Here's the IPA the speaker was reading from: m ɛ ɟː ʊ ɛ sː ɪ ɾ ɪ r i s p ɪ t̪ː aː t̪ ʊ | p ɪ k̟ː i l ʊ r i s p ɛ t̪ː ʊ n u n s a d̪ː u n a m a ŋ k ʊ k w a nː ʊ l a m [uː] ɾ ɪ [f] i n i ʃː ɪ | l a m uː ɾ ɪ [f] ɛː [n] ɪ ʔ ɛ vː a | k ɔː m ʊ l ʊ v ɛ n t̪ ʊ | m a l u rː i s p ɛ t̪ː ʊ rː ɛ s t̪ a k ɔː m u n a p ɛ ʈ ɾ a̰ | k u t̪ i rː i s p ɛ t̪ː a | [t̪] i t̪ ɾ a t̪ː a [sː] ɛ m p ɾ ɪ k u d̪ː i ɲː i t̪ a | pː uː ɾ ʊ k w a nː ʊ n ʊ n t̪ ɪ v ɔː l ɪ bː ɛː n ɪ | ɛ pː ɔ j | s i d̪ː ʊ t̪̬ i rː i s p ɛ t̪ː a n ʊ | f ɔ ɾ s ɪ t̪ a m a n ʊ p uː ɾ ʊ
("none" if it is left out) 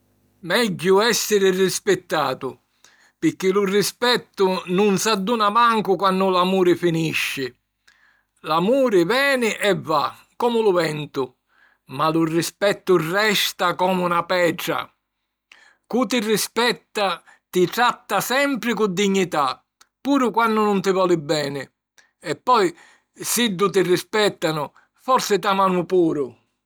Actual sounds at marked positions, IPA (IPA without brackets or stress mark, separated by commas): uː, f, v, n, t̪, s